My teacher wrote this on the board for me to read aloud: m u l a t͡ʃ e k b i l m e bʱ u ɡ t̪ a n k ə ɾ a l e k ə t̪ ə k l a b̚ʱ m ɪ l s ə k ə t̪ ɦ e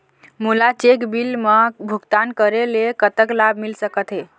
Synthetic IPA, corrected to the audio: m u l a t͡ʃ e k b i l m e bʱ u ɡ t̪ a n k ə ɾ e l e k ə t̪ ə k l a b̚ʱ m i l s ə k ə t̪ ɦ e